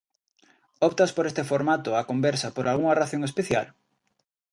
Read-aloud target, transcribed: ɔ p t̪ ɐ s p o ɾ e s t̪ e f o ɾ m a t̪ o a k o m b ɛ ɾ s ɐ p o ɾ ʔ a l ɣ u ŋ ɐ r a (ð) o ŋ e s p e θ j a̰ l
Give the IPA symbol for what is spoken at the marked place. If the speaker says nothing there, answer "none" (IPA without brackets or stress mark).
θ